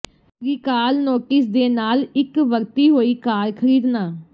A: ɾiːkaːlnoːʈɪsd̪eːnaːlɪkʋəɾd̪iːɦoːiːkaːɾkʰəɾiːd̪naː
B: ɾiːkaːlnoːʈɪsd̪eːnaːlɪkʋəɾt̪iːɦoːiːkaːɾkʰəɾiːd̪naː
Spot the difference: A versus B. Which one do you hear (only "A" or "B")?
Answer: B